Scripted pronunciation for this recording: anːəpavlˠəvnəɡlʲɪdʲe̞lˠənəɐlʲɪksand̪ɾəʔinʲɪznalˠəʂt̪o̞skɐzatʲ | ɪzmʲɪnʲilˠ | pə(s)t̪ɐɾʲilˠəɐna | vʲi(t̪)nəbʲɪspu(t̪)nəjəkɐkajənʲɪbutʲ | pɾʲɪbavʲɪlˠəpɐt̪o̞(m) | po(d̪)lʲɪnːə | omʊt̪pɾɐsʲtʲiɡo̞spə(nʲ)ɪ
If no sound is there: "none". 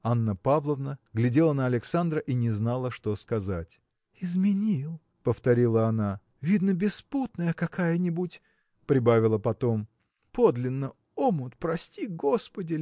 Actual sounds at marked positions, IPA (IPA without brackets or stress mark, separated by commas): f, d̪, t̪, m, d̪, dʲ